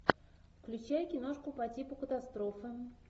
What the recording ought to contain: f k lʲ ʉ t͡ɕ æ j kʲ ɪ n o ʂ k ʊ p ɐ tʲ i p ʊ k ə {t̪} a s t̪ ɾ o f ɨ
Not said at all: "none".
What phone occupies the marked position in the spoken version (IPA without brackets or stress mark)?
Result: t̪